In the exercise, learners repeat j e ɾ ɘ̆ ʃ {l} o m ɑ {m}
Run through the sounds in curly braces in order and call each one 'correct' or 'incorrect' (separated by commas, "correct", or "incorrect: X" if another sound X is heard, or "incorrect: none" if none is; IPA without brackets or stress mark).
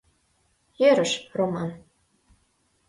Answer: incorrect: r, incorrect: n